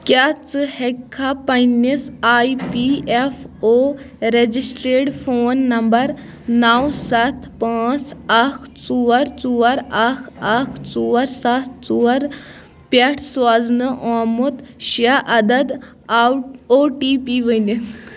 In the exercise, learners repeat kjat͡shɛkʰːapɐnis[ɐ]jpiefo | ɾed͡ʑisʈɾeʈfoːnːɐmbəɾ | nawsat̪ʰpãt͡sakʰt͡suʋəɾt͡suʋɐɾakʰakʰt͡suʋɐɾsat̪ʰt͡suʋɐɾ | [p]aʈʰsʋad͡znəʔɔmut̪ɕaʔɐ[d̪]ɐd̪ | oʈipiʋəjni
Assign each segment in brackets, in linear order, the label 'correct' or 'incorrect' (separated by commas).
incorrect, correct, correct